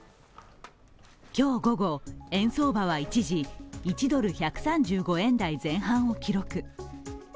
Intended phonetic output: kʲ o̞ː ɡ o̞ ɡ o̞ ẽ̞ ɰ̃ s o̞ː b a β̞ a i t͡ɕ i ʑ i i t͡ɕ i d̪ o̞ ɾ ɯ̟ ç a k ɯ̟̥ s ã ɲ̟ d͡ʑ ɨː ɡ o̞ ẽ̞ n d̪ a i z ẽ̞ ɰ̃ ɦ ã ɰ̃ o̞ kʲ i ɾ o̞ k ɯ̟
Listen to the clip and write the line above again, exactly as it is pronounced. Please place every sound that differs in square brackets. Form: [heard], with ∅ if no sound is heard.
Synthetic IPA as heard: kʲ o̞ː ɡ o̞ ɡ o̞ ẽ̞ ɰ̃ s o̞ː b a β̞ a i t͡ɕ i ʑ i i t͡ɕ i d̪ o̞ ɾ ɯ̟ ç a k ɯ̟̥ s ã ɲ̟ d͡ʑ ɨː ɡ o̞ ẽ̞ n d̪ a i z ẽ̞ ɰ̃ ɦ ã ɰ̃ o̞ kʲ i ɾ o̞ k ɯ̟

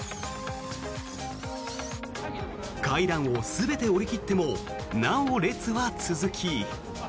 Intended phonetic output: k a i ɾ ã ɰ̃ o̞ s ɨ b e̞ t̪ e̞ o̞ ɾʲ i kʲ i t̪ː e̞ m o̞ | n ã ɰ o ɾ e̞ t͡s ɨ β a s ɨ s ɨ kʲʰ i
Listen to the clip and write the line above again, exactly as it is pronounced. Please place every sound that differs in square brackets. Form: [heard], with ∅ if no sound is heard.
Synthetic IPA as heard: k a i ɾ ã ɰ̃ o̞ s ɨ b e̞ t̪ e̞ o̞ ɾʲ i kʲ i t̪ː e̞ m o̞ | n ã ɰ o ɾ e̞ t͡s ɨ β a [t͡s] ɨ [z] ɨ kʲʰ i

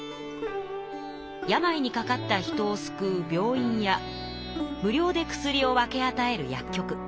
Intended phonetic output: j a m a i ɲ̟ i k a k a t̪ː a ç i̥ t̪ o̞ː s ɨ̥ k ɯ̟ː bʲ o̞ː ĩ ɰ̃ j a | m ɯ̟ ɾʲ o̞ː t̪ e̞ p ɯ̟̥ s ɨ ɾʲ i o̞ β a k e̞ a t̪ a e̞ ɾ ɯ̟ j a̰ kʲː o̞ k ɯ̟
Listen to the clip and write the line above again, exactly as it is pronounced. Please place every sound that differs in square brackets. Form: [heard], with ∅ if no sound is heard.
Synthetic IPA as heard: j a m a i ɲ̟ i k a k a t̪ː a ç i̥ t̪ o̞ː s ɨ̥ k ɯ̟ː bʲ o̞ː ĩ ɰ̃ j a | m ɯ̟ ɾʲ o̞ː [d̪] e̞ [k] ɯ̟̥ s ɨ ɾʲ i o̞ β a k e̞ a t̪ a e̞ ɾ ɯ̟ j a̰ kʲː o̞ k ɯ̟

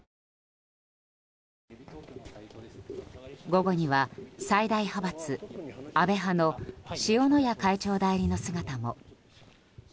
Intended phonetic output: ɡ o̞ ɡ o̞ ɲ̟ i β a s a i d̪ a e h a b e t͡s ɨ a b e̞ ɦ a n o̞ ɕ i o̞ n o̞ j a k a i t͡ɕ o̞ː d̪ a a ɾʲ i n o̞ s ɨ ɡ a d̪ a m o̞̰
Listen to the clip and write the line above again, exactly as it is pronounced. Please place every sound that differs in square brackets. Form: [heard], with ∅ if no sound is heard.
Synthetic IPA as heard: ɡ o̞ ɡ o̞ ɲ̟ i β a s a i d̪ a [i] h a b [a] t͡s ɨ a b e̞ ɦ a n o̞ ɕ i o̞ n o̞ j a k a i t͡ɕ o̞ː d̪ a [i] ɾʲ i n o̞ s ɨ ɡ a [t̪] a m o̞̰

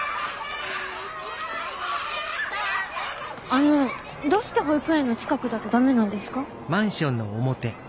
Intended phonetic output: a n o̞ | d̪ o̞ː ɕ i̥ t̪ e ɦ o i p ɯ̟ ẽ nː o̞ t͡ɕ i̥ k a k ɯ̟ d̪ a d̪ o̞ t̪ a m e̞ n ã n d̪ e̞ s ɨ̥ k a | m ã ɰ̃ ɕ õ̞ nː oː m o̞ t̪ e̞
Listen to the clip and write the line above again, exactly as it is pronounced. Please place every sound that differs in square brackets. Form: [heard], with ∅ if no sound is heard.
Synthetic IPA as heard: a n o̞ | d̪ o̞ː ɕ i̥ t̪ e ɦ o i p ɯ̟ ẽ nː o̞ t͡ɕ i̥ k a k ɯ̟ d̪ a [t̪] o̞ [d̪] a m e̞ n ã n d̪ e̞ s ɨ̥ k a | m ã ɰ̃ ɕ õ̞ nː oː m o̞ t̪ e̞

